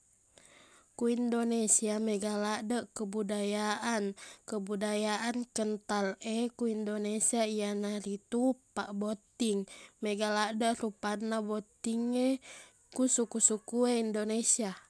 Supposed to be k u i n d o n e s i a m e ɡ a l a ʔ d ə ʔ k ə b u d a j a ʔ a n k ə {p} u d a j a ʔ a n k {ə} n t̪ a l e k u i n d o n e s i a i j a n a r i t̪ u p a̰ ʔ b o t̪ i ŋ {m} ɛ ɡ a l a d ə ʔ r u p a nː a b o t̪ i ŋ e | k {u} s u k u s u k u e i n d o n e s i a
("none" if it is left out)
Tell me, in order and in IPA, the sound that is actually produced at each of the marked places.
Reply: b, ə, m, u

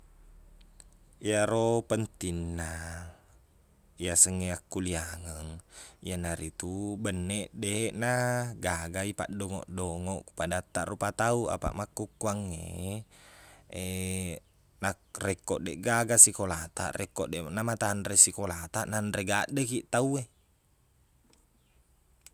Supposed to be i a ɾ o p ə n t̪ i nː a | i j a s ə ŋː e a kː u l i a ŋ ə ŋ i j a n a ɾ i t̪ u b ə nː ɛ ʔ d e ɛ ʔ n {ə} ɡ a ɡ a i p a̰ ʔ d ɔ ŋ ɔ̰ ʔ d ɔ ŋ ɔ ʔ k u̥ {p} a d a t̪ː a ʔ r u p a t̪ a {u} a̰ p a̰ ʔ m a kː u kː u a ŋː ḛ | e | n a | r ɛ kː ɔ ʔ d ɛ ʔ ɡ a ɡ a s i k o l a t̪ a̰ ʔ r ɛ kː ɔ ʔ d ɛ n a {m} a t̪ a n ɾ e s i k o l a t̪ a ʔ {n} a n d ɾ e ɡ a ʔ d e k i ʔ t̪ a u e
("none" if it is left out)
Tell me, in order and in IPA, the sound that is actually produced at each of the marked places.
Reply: a, p, u, m, n

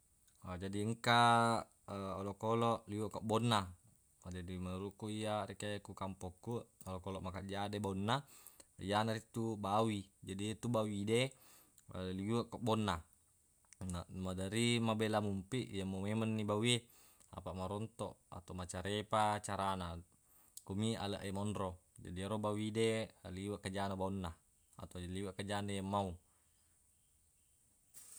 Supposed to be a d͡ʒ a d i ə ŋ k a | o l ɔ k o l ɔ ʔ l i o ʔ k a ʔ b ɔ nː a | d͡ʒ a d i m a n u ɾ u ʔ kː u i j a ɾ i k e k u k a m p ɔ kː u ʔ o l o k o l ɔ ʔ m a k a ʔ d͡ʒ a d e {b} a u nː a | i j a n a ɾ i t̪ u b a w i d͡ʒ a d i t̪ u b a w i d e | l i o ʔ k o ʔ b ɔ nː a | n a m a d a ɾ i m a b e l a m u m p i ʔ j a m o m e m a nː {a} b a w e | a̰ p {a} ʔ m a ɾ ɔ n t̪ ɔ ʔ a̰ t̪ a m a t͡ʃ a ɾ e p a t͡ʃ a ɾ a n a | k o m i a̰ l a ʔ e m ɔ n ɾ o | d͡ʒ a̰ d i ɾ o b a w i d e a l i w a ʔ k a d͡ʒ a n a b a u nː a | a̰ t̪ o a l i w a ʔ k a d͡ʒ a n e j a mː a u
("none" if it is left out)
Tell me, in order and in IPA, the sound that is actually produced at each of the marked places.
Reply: b, i, a

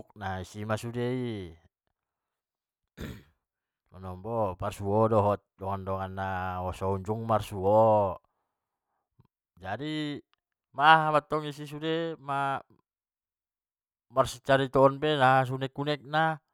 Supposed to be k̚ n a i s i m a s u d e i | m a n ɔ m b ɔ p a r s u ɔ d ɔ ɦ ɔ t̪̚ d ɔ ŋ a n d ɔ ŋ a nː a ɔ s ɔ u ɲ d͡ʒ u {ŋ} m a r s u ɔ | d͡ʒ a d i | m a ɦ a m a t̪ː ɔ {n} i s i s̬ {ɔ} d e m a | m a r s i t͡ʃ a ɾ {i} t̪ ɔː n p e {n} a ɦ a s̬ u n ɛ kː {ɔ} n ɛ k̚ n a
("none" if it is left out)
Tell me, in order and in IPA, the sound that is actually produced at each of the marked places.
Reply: ŋ, ŋ, u, i, n, u

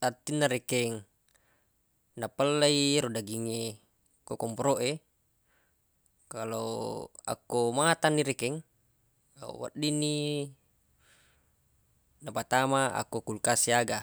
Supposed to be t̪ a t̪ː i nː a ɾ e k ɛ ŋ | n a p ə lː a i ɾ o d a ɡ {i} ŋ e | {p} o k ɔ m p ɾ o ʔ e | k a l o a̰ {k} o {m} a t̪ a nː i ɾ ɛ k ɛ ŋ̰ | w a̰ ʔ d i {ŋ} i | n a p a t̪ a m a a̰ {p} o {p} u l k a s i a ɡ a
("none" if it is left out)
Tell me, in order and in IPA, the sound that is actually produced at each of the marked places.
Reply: i, k, k, m, n, k, k

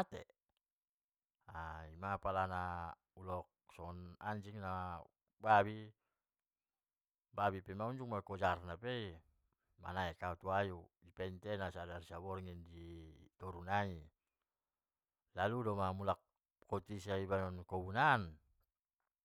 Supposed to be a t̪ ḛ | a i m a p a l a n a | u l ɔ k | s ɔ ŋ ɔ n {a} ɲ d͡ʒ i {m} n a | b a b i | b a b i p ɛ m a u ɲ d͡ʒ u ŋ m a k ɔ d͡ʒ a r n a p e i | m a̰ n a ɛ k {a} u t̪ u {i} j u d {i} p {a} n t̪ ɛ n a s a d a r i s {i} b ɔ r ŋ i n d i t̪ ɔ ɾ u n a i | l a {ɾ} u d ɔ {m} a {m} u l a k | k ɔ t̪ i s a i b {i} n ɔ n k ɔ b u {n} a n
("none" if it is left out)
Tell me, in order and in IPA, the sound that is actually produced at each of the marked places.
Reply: a, ŋ, a, a, i, ɛ, a, l, m, m, a, n

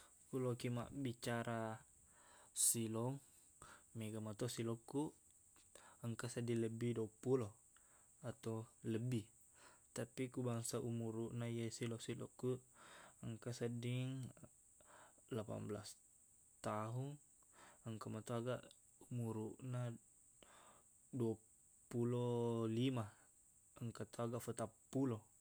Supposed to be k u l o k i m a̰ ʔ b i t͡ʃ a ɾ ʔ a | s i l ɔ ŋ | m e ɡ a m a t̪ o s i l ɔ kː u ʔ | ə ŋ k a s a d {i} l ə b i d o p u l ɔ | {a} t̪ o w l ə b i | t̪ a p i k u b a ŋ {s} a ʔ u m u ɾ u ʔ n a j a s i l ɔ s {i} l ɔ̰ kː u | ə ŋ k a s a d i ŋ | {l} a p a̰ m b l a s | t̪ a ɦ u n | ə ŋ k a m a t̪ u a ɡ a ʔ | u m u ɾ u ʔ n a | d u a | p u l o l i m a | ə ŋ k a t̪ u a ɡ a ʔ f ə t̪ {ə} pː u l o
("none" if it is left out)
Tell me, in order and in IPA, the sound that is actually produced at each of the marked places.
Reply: i, a, s, i, l, a

